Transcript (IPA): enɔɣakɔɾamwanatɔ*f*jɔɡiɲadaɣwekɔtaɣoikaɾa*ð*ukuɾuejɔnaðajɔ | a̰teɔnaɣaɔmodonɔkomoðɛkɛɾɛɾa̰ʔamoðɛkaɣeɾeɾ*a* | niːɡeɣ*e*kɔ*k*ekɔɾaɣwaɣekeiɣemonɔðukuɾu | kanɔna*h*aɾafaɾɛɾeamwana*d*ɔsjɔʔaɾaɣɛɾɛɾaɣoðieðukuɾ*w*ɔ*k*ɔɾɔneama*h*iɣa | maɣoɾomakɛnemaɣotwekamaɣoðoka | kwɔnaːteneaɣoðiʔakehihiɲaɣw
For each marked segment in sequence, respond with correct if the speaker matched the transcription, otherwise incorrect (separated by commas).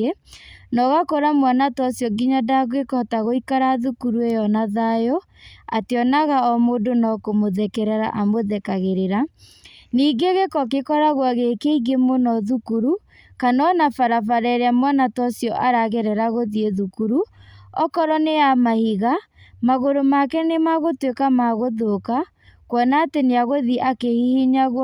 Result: incorrect, correct, correct, correct, correct, incorrect, incorrect, incorrect, correct, correct